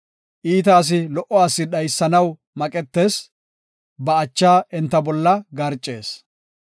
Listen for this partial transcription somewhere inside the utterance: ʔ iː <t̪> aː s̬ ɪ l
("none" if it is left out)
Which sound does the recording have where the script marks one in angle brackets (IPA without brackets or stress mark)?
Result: t̪